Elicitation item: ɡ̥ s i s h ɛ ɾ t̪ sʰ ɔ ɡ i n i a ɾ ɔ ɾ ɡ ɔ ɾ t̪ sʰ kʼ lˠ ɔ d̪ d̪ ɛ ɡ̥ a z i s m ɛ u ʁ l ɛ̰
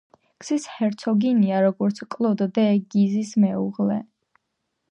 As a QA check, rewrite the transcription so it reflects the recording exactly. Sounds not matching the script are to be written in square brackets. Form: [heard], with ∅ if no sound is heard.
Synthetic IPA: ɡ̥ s i s h ɛ ɾ t̪ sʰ ɔ ɡ i n i a ɾ ɔ [∅] ɡ ɔ ɾ t̪ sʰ kʼ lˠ ɔ d̪ d̪ ɛ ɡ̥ [i] z i s m ɛ u ʁ l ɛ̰